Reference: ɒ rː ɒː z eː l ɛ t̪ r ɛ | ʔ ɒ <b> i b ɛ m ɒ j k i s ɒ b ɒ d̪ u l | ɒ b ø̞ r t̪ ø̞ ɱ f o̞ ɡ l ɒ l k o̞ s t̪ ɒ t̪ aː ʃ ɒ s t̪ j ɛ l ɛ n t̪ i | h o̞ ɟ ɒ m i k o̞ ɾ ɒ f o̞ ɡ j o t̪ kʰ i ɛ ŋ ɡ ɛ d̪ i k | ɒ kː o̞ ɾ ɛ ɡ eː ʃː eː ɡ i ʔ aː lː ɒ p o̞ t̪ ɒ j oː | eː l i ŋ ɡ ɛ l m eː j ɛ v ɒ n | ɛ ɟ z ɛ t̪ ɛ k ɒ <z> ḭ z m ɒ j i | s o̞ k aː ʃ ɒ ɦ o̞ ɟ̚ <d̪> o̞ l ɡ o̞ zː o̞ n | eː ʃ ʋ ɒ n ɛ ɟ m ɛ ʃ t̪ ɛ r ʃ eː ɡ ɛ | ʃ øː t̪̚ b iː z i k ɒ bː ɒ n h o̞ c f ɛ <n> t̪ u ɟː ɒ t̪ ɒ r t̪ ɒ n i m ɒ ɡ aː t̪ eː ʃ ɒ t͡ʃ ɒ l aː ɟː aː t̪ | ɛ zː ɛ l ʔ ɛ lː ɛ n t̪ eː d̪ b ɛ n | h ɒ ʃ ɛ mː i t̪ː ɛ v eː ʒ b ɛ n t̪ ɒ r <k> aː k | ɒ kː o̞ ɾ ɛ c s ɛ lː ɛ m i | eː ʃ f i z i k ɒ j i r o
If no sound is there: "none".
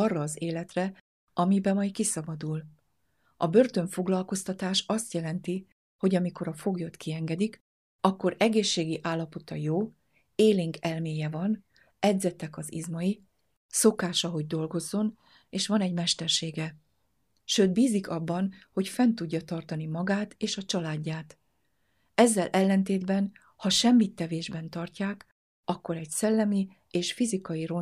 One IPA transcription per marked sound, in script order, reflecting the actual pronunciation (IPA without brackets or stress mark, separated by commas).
m, z, d̪, n, c